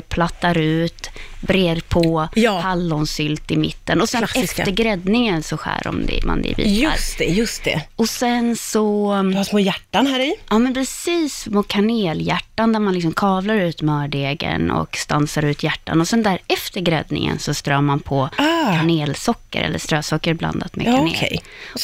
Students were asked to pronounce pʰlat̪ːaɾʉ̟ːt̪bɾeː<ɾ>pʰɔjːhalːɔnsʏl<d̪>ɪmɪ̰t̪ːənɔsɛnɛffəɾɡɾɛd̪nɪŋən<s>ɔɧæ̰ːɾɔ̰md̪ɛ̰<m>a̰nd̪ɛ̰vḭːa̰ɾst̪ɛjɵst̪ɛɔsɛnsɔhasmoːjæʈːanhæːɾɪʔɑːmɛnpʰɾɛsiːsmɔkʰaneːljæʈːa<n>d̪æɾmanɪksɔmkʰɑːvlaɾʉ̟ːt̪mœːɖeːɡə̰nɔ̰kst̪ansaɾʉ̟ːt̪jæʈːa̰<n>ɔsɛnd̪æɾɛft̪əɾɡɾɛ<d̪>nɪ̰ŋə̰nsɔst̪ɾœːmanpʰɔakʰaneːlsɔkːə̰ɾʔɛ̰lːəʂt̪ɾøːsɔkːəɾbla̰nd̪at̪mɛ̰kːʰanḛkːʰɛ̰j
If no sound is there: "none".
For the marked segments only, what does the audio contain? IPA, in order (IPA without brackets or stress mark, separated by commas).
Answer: ɾ, t̪, s, m, n, n, d̪